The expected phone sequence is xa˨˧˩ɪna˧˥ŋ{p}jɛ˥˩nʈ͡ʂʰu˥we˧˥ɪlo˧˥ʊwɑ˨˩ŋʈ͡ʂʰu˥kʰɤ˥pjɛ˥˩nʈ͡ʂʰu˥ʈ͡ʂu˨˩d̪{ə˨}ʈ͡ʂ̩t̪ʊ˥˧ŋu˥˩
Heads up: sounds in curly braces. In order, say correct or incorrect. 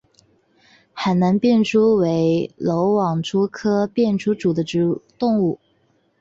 correct, incorrect: ə˦

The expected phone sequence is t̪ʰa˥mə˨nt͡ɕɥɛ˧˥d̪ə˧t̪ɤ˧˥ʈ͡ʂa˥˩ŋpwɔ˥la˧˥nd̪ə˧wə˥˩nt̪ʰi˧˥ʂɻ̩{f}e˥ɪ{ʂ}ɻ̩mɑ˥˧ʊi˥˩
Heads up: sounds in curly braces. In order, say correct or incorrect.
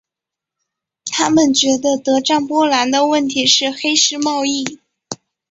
incorrect: x, correct

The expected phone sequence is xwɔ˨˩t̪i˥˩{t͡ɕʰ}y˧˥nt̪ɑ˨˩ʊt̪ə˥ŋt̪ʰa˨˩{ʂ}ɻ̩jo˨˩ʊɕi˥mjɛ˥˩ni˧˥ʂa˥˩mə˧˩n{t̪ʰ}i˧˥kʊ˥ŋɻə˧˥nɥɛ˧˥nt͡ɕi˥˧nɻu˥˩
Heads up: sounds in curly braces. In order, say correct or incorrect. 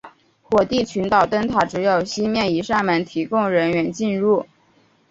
correct, incorrect: ʈ͡ʂ, correct

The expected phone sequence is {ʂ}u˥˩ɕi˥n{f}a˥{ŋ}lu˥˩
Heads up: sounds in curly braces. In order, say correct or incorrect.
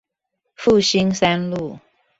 incorrect: f, incorrect: s, incorrect: n

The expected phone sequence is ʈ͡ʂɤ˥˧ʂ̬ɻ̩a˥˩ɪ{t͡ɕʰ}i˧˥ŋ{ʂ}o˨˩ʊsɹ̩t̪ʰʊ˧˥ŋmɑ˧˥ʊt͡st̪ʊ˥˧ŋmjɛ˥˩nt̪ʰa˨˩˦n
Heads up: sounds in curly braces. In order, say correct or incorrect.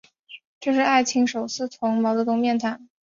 correct, correct

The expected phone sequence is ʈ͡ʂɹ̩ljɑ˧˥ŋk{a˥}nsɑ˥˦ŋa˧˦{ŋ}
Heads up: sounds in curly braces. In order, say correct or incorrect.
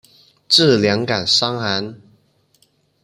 incorrect: a˨˩, incorrect: n

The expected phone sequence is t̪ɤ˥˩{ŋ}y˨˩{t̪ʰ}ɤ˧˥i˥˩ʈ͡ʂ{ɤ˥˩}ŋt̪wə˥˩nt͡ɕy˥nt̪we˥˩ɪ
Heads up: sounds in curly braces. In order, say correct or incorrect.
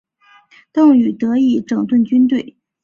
correct, incorrect: t̪, incorrect: ɤ˨˩

